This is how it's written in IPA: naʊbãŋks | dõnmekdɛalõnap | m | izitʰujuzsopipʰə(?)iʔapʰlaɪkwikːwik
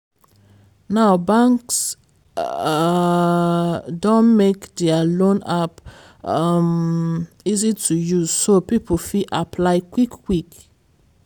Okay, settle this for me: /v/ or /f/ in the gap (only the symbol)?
f